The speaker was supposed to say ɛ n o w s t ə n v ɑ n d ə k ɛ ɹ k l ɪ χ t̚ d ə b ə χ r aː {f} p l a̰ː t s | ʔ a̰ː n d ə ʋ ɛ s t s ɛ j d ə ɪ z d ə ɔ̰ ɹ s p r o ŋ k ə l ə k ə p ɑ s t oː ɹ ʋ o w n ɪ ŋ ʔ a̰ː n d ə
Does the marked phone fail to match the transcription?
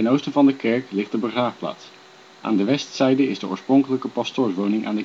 no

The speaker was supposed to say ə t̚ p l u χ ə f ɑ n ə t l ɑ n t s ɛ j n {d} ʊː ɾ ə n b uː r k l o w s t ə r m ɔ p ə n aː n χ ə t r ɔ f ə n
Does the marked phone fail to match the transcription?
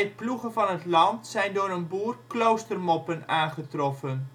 no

